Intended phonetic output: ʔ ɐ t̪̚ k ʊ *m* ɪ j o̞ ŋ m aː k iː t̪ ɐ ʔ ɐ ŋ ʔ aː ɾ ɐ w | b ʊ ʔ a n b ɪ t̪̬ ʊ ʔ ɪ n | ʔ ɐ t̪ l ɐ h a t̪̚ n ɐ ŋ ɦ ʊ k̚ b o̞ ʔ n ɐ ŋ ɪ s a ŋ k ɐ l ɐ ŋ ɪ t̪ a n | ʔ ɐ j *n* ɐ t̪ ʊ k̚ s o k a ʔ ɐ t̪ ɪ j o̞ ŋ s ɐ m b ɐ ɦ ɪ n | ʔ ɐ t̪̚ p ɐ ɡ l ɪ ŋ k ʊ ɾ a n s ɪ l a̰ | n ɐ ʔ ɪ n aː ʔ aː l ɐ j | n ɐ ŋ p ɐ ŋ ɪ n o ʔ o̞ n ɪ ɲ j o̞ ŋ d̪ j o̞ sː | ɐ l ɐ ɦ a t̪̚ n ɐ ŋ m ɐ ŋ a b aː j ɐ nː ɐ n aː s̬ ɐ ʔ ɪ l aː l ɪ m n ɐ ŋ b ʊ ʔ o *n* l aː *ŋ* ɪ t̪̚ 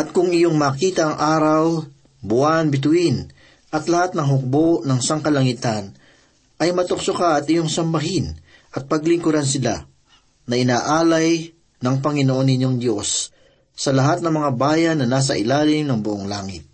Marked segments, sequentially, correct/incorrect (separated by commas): incorrect, incorrect, incorrect, correct